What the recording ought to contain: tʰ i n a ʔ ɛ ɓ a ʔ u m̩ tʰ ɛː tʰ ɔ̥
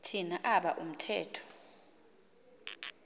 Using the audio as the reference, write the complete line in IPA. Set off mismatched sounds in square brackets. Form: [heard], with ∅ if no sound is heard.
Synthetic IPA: tʰ i n a ʔ [a] ɓ a ʔ u m̩ tʰ ɛː tʰ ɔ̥